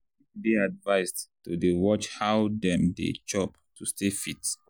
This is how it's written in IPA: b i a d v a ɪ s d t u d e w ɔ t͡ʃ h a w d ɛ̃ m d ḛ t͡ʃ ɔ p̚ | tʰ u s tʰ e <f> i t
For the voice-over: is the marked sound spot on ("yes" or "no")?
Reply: yes